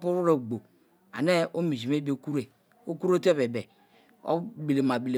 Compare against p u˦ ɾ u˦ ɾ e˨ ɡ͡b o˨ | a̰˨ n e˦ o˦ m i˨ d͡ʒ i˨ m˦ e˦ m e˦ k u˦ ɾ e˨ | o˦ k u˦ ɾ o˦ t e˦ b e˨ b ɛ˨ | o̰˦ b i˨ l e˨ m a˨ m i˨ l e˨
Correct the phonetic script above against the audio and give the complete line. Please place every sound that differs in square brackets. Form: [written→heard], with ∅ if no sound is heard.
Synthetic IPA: p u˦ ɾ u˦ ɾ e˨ ɡ͡b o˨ | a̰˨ n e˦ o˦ m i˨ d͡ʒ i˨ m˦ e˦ [m→b] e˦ k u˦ ɾ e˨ | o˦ k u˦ ɾ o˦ t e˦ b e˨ b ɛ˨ | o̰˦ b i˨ l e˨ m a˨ [m→b] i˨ l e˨